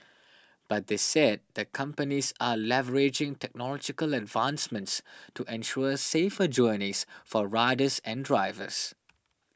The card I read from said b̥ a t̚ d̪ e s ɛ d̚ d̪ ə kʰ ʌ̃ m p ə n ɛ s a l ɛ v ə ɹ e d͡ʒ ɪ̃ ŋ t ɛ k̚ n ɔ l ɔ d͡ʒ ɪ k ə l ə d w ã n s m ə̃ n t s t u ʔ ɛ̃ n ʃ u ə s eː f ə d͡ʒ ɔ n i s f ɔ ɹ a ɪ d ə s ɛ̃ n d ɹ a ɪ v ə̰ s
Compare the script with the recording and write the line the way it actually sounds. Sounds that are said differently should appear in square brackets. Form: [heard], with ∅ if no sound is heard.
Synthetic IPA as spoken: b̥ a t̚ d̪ e s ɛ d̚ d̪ ə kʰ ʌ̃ m p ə n [i] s a l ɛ v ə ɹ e d͡ʒ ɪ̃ ŋ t ɛ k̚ n ɔ l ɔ d͡ʒ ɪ k ə l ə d [v] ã n s m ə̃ n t s t u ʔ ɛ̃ n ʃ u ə s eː f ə d͡ʒ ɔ n i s f ɔ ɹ a ɪ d ə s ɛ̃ n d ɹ a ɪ v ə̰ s